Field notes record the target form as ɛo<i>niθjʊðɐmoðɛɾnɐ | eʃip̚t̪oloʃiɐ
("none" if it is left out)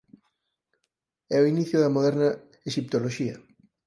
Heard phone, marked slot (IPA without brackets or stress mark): i